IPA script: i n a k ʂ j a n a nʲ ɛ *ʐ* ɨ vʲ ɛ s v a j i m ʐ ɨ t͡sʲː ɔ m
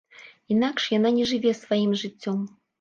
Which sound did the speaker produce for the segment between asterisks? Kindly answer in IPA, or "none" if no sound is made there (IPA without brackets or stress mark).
ʐ